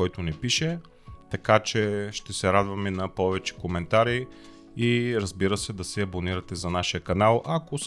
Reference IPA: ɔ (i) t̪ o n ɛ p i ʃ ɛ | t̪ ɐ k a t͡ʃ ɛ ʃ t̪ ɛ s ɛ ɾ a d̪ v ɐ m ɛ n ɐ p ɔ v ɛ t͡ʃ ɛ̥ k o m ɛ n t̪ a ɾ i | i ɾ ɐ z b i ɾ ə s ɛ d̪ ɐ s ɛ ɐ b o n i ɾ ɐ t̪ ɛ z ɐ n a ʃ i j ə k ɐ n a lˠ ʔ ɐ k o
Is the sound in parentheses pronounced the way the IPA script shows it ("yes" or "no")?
no